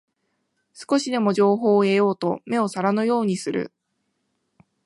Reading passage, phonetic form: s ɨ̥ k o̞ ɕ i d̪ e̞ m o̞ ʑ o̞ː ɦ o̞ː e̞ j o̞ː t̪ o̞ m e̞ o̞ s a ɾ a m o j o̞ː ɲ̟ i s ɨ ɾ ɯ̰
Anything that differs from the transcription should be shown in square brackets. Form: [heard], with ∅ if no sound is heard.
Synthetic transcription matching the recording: s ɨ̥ k o̞ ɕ i d̪ e̞ m o̞ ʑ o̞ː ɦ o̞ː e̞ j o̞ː t̪ o̞ m e̞ o̞ s a ɾ a [n] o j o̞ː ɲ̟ i s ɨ ɾ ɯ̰